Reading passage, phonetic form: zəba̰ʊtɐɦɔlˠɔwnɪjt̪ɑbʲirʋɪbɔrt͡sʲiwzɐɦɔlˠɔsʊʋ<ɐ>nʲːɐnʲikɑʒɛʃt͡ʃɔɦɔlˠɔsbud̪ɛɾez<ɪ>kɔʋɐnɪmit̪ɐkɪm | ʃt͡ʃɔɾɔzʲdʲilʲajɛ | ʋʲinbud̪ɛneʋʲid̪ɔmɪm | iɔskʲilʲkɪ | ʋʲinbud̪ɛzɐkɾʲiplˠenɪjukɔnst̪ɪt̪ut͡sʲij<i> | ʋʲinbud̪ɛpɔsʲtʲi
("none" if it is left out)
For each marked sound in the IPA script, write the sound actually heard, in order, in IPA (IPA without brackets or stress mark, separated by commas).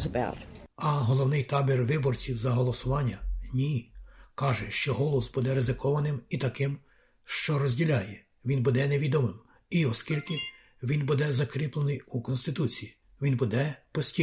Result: ɑ, ɪ, i